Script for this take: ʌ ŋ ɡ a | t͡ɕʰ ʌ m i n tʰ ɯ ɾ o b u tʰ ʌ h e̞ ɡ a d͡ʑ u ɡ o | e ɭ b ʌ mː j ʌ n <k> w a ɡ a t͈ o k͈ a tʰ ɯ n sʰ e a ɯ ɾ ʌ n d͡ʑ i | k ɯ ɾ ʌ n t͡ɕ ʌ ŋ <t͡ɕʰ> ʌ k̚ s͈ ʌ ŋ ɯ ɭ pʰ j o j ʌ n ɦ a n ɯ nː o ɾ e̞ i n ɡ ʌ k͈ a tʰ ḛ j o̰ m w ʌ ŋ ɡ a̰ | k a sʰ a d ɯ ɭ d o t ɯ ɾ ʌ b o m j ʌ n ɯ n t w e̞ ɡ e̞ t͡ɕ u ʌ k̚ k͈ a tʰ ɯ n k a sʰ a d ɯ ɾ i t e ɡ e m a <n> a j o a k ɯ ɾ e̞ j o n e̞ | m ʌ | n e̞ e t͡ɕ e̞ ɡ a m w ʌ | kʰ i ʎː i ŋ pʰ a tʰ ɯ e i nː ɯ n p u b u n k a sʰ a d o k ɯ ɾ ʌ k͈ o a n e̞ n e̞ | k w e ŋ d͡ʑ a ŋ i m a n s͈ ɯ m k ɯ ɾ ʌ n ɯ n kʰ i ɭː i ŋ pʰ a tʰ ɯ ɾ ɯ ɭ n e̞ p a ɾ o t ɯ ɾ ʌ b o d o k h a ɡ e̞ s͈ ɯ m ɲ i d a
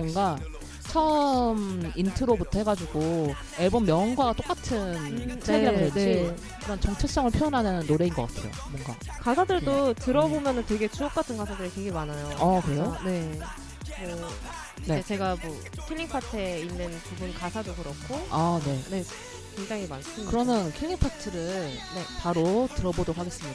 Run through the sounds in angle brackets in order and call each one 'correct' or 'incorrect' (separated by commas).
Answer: incorrect, correct, correct